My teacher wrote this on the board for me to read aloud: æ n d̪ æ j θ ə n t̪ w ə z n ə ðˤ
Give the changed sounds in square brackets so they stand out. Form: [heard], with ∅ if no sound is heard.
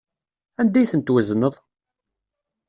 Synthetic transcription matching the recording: æ n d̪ æ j θ ə n t̪ w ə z n ə ðˤ